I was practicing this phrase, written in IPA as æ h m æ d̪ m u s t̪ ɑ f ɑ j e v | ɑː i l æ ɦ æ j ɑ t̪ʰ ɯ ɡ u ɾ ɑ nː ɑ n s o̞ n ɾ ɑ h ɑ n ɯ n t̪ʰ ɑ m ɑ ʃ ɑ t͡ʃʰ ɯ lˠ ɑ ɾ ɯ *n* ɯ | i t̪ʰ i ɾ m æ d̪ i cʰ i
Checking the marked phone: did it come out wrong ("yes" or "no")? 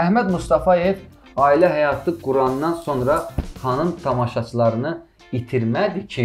no